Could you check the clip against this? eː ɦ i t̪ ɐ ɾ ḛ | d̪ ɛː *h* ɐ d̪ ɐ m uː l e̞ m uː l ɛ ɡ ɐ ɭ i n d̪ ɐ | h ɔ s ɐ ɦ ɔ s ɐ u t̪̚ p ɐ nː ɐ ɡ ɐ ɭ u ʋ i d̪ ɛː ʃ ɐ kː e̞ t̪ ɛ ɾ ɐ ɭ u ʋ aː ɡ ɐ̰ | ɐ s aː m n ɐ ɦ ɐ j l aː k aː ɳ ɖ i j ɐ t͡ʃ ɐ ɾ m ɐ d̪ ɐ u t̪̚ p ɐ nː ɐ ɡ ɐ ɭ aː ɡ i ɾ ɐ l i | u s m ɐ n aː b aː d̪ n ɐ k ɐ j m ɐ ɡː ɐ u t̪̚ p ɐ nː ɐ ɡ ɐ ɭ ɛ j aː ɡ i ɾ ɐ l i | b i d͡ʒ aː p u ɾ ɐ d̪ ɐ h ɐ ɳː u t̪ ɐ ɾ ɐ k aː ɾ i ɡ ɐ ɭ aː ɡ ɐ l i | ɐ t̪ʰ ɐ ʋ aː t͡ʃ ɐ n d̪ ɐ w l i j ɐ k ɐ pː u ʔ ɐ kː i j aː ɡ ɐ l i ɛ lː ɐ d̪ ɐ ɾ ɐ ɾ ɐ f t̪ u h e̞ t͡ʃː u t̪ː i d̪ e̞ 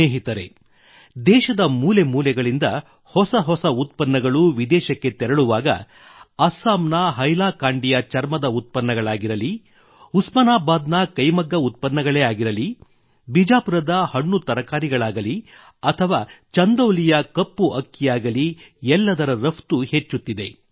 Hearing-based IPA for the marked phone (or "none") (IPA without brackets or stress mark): ʃ